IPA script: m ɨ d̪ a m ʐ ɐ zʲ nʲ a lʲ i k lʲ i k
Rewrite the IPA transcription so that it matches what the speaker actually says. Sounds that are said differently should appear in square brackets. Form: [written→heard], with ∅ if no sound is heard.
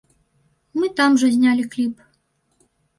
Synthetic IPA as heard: m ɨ [d̪→t̪] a m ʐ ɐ zʲ nʲ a lʲ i k lʲ i [k→p]